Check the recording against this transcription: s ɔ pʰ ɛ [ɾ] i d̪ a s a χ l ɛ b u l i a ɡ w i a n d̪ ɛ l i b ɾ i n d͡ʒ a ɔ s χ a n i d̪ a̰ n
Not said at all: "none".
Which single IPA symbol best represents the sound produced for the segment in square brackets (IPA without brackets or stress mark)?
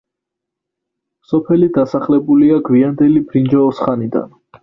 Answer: l